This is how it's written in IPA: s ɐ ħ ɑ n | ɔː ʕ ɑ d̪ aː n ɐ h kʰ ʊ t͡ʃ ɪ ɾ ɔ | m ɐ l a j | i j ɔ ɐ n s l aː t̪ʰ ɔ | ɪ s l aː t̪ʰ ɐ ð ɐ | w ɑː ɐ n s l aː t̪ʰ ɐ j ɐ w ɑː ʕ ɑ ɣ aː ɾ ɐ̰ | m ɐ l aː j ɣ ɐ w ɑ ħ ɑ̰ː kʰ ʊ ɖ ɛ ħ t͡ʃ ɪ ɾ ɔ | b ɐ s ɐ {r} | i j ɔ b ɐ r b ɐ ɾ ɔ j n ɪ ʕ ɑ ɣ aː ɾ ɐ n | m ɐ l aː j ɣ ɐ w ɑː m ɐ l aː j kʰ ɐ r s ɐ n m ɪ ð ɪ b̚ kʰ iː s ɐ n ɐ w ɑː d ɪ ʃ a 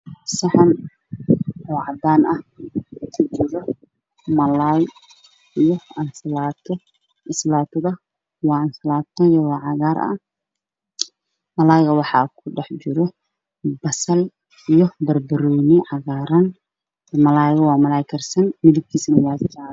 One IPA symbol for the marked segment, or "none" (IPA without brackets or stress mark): l